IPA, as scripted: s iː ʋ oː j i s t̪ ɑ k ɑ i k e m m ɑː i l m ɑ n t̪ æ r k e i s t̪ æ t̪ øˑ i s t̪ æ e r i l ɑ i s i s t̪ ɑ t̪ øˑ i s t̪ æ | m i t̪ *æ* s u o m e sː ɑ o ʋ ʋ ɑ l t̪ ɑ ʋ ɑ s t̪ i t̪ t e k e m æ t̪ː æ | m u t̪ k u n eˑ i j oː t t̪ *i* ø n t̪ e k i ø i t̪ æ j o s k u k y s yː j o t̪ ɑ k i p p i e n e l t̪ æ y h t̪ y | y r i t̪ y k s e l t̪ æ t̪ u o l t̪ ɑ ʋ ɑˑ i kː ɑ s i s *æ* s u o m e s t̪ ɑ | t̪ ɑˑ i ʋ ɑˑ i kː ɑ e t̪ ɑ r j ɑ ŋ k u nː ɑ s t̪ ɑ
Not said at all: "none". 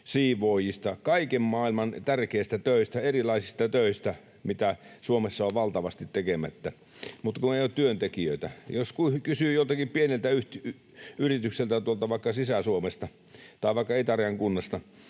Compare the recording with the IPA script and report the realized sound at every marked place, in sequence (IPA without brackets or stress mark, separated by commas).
æ, y, æ